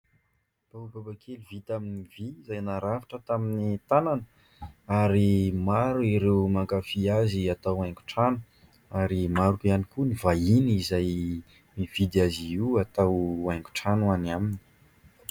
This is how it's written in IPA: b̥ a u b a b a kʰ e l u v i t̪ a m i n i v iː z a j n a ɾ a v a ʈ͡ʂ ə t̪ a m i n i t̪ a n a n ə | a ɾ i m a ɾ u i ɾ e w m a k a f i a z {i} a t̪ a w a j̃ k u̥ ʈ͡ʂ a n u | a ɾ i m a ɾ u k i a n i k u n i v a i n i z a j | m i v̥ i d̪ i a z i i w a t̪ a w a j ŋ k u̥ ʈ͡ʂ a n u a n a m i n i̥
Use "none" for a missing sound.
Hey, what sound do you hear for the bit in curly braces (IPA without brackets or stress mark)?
i